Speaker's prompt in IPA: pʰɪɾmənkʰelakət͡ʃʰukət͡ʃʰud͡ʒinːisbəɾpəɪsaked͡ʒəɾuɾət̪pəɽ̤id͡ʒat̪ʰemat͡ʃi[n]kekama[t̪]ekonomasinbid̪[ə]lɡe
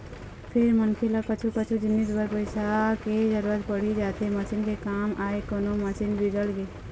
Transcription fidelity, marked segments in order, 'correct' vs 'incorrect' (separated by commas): correct, incorrect, correct